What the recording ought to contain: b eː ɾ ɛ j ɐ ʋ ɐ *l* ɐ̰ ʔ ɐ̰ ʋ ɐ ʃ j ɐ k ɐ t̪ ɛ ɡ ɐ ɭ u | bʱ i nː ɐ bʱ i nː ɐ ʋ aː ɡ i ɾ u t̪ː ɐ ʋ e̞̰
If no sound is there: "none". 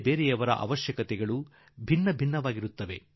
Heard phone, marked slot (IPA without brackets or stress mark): ɾ